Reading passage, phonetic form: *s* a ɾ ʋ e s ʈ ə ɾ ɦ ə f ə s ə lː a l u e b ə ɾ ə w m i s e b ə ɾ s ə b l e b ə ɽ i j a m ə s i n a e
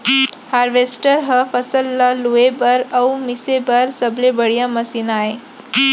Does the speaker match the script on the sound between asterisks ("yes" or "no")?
no